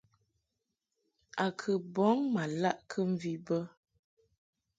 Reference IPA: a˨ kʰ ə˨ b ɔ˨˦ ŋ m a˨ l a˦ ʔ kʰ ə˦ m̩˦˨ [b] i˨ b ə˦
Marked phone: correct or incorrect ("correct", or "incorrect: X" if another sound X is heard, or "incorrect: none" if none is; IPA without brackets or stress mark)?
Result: incorrect: v